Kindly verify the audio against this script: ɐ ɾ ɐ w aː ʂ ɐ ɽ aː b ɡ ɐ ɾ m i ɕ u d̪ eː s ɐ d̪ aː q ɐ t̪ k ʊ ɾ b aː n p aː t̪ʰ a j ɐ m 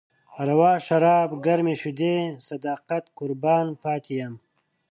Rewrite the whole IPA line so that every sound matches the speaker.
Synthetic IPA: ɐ ɾ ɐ w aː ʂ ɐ ɾ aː b ɡ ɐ ɾ m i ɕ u d̪ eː s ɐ d̪ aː q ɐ t̪ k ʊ ɾ b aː n p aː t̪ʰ i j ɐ m